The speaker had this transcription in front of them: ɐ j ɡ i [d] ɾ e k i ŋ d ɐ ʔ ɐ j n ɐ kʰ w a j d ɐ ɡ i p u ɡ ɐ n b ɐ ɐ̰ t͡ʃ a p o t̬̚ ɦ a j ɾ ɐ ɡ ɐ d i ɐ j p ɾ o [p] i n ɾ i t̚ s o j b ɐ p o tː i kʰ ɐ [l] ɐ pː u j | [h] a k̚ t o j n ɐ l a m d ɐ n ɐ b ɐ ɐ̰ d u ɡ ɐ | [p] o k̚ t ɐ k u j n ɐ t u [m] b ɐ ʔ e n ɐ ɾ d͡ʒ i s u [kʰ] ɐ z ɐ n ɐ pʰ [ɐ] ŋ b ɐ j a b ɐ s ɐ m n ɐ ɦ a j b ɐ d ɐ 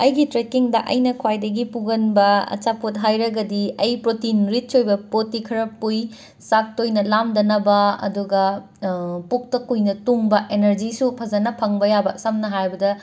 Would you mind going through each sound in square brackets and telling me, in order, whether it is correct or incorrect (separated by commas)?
incorrect, incorrect, incorrect, incorrect, correct, incorrect, incorrect, correct